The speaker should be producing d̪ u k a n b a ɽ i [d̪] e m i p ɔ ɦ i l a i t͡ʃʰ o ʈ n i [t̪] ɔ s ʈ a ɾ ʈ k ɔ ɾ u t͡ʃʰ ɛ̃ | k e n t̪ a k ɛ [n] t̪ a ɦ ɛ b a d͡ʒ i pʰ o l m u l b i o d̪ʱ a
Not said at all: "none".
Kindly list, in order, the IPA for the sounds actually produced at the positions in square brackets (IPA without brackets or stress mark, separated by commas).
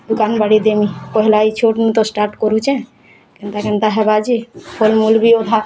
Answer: d̪, t̪, n